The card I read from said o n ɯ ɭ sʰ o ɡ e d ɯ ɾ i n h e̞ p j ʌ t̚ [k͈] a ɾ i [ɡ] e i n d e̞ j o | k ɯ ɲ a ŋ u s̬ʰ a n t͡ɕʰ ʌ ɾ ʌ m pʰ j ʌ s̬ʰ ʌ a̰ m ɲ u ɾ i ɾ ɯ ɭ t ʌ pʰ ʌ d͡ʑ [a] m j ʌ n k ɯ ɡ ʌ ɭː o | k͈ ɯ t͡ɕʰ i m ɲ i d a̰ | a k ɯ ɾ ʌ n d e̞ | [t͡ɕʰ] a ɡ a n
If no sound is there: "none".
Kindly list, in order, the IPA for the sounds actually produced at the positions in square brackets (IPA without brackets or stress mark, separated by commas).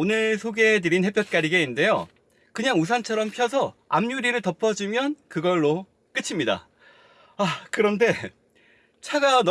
k͈, ɡ, i, t͡ɕʰ